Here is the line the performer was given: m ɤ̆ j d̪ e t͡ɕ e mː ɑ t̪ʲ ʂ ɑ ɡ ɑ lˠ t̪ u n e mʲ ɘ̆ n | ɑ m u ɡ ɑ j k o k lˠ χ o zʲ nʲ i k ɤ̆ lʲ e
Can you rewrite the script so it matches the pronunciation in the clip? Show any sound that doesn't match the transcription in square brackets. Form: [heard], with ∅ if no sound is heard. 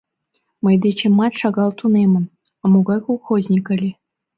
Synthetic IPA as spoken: m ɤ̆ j d̪ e t͡ɕ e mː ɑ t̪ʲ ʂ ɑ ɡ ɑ lˠ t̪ u n e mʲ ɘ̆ n | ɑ m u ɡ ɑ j k o [∅] lˠ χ o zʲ nʲ i k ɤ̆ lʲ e